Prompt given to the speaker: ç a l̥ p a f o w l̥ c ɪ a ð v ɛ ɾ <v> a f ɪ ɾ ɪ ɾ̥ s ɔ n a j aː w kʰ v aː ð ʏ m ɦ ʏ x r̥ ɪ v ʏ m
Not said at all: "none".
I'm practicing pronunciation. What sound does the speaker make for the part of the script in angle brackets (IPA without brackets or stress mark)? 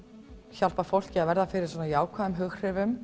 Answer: ð